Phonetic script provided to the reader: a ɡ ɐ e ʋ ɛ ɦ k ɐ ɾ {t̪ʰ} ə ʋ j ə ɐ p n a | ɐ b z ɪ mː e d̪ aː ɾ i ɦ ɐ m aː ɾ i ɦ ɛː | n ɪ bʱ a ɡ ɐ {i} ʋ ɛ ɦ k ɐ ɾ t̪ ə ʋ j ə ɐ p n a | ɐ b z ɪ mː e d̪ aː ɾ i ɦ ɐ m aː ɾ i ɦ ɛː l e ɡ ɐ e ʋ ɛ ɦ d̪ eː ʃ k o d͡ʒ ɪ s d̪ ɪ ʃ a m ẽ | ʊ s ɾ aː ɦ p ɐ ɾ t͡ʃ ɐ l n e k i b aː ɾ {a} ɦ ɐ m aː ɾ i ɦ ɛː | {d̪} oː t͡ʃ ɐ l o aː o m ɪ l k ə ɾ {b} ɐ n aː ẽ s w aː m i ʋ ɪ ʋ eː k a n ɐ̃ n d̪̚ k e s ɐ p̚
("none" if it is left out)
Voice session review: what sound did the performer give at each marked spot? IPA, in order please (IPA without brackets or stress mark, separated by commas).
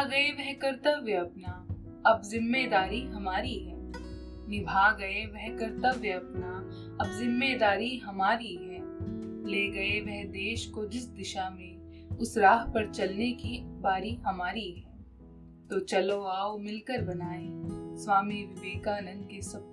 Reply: t̪, e, i, t̪, b